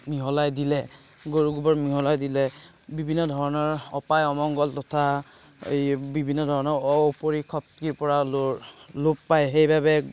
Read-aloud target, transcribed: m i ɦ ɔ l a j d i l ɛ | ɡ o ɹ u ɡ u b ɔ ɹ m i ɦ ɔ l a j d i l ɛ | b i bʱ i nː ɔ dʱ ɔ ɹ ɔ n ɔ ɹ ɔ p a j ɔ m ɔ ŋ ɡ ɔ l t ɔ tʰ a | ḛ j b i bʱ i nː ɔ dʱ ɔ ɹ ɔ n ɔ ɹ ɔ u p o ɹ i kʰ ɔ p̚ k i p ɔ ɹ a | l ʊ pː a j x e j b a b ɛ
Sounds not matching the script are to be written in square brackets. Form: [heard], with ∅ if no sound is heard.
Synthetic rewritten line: m i ɦ ɔ l a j d i l ɛ | ɡ o ɹ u ɡ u b ɔ ɹ m i ɦ ɔ l a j d i l ɛ | b i bʱ i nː ɔ dʱ ɔ ɹ ɔ n ɔ ɹ ɔ p a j ɔ m ɔ ŋ ɡ ɔ l t ɔ tʰ a | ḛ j b i bʱ i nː ɔ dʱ ɔ ɹ ɔ n ɔ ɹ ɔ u p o ɹ i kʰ ɔ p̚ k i p ɔ ɹ a | l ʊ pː a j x e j b a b ɛ

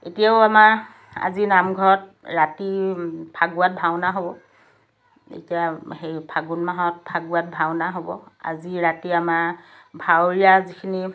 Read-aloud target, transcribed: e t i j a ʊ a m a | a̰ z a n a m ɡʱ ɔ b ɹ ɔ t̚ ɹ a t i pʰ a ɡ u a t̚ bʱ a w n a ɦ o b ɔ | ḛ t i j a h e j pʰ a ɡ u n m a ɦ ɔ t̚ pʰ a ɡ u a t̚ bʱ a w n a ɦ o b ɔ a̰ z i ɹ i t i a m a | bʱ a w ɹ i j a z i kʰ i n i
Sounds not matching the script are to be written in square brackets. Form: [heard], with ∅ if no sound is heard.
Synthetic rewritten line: e t i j a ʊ a m a | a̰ z [i] n a m ɡʱ ɔ [∅] ɹ ɔ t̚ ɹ a t i pʰ a ɡ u a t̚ bʱ a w n a ɦ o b ɔ | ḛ t i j a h e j pʰ a ɡ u n m a ɦ ɔ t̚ pʰ a ɡ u a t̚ bʱ a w n a ɦ o b ɔ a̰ z i ɹ [a] t i a m a | bʱ a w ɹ i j a z i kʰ i n i

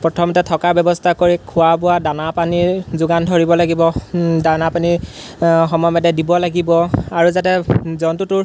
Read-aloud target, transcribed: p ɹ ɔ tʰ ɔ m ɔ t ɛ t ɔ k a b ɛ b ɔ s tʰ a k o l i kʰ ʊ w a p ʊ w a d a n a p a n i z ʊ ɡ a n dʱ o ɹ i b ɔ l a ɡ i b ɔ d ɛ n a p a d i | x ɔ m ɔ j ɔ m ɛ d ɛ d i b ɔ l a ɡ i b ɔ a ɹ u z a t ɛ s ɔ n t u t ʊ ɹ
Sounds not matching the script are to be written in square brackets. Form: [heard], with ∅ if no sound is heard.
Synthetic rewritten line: p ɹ ɔ tʰ ɔ m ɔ t ɛ [tʰ] ɔ k a b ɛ b ɔ s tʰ a k o [ɹ] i kʰ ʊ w a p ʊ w a d a n a p a n i z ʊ ɡ a n dʱ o ɹ i b ɔ l a ɡ i b ɔ d [a] n a p a [n] i | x ɔ m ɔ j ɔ m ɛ d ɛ d i b ɔ l a ɡ i b ɔ a ɹ u z a t ɛ [z] ɔ n t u t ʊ ɹ

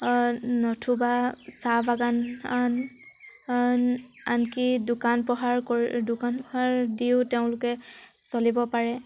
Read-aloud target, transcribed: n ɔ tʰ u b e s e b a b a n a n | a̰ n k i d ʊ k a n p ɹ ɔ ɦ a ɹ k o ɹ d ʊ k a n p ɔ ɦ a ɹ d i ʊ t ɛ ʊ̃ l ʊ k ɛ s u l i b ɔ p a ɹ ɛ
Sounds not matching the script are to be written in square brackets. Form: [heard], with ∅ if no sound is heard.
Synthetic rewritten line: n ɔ tʰ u b [a] s [a] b a [ɡ] a n a n | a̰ n k i d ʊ k a n p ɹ ɔ ɦ a ɹ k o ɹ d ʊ k a n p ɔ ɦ a ɹ d i ʊ t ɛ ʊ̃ l ʊ k ɛ s [o] l i b ɔ p a ɹ ɛ

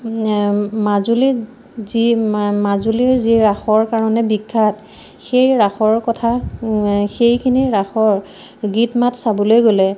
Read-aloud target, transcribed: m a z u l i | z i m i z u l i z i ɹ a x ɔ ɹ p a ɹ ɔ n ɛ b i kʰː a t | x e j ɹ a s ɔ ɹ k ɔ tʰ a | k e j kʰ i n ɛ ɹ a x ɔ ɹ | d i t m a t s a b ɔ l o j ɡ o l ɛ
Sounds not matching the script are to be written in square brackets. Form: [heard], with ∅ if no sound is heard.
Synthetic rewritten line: m a z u l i | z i m [a] z u l i z i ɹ a x ɔ ɹ [k] a ɹ ɔ n ɛ b i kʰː a t | x e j ɹ a [x] ɔ ɹ k ɔ tʰ a | [x] e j kʰ i n [i] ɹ a x ɔ ɹ | [ɡ] i t m a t s a b ɔ l o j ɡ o l ɛ

